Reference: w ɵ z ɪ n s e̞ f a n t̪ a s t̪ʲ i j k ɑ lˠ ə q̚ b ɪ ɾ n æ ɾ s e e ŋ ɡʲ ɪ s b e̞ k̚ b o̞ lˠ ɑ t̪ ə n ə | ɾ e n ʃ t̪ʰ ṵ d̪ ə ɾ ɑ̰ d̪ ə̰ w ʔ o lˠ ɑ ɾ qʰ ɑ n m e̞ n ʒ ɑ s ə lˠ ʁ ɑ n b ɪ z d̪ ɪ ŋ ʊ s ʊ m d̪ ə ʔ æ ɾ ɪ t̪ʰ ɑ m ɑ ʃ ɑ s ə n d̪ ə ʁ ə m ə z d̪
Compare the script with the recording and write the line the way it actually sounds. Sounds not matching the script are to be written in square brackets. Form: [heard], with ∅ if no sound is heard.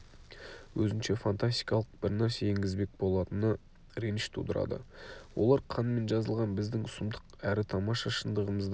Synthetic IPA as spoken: w ɵ z ɪ n [ʃ] e̞ f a n t̪ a s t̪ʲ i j k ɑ lˠ ə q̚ b ɪ ɾ n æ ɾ s e e ŋ ɡʲ ɪ [z] b e̞ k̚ b o̞ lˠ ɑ t̪ ə n ə | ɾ e n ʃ t̪ʰ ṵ d̪ ə ɾ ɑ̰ d̪ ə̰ w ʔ o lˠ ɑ ɾ qʰ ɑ n m e̞ n ʒ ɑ [z] ə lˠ ʁ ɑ n b ɪ z d̪ ɪ ŋ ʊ s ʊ m d̪ ə [q] æ ɾ ɪ t̪ʰ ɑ m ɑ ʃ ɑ [ʃ] ə n d̪ ə ʁ ə m ə z d̪